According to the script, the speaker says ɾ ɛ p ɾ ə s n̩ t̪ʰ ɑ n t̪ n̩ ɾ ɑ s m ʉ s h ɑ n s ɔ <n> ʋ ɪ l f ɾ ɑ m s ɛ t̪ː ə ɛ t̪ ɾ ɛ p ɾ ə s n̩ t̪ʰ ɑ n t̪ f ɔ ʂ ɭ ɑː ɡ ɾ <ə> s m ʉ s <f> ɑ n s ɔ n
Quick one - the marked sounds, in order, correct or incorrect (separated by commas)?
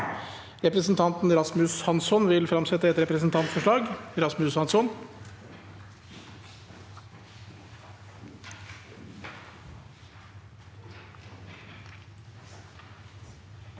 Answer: correct, incorrect, incorrect